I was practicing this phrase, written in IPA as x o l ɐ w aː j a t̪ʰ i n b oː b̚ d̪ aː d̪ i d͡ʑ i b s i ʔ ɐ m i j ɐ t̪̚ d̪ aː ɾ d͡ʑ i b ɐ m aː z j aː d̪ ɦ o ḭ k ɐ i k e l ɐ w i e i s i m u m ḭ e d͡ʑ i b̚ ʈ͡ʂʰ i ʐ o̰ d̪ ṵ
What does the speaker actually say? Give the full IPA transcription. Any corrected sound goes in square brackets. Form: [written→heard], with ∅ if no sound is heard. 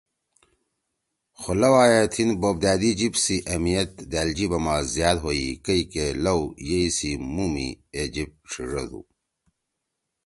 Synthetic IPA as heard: x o l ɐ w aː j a t̪ʰ i n b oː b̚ d̪ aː d̪ i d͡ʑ i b s i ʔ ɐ m i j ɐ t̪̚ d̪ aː [ɾ→l] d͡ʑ i b ɐ m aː z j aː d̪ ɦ o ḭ k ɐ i k e l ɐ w [i→j] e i s i m u m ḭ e d͡ʑ i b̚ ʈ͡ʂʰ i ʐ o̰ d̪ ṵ